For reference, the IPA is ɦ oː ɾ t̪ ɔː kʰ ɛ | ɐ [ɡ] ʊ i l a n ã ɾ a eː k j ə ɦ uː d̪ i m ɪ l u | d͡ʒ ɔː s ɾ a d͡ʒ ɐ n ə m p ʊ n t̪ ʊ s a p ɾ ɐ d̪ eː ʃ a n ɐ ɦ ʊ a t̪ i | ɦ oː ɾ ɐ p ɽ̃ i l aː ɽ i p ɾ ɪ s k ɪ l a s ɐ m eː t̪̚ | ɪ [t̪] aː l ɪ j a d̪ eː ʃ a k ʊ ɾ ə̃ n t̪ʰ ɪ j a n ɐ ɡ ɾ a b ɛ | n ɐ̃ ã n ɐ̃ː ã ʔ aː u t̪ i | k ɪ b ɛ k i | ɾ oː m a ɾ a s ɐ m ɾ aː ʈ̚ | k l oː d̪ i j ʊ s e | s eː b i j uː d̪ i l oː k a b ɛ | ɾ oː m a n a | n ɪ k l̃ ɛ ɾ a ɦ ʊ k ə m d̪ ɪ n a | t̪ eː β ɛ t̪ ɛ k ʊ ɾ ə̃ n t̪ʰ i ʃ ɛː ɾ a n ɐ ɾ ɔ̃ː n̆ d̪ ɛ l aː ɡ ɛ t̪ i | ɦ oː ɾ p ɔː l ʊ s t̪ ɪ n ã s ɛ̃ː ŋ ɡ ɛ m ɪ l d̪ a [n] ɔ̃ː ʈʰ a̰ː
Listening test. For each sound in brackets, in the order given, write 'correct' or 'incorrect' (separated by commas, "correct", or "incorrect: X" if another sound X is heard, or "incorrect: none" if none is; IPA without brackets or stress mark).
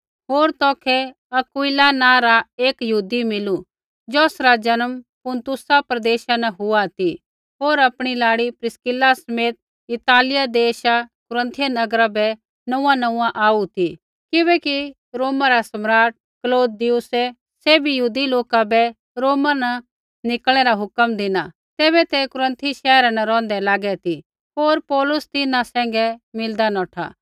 incorrect: k, correct, correct